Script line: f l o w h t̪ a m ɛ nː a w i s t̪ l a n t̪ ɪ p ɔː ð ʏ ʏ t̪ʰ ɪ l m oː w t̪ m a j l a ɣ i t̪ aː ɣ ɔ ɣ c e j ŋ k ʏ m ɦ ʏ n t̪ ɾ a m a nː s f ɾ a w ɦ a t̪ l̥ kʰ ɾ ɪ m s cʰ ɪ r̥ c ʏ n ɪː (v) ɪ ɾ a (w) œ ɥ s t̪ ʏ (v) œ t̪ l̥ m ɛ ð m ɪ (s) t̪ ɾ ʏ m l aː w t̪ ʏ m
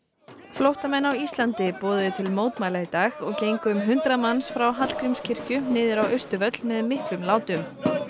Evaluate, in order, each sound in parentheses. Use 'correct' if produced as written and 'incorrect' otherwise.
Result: incorrect: ð, correct, correct, incorrect: h

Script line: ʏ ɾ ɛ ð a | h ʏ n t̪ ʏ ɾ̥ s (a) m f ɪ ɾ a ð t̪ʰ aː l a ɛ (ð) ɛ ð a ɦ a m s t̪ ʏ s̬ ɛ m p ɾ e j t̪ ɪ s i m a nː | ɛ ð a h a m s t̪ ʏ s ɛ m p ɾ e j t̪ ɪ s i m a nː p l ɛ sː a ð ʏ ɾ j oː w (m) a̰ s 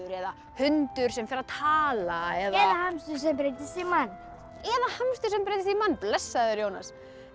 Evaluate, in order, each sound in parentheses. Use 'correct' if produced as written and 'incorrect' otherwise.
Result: incorrect: ɛ, correct, incorrect: n

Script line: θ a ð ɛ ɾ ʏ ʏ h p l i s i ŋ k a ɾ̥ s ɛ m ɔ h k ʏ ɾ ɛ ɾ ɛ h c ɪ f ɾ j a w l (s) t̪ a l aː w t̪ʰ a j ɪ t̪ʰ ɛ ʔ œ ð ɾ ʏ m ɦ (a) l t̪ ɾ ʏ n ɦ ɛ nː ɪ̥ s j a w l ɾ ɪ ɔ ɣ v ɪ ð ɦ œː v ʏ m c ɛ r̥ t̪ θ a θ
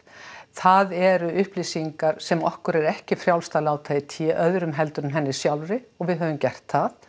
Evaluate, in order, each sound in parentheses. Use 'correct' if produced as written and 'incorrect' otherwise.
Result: correct, incorrect: ɛ

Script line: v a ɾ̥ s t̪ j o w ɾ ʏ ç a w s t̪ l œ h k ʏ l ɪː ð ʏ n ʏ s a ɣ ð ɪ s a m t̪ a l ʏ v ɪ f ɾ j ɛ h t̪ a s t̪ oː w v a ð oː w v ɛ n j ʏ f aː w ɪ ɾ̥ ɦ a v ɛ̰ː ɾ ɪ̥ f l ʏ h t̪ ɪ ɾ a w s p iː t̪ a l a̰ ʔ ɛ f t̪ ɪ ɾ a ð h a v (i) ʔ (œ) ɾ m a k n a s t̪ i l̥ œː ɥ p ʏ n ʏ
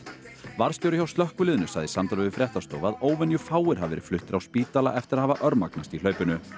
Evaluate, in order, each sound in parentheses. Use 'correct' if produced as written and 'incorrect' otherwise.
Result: incorrect: a, correct

